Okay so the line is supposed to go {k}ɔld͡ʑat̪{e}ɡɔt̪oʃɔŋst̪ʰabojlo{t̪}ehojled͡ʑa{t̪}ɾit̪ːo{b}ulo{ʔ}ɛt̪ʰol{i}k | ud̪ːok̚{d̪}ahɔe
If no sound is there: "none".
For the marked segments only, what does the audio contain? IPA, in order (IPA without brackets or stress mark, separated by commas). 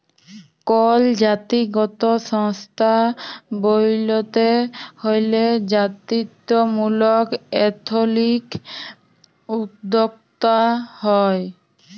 k, i, t̪, t̪, m, k, i, t̪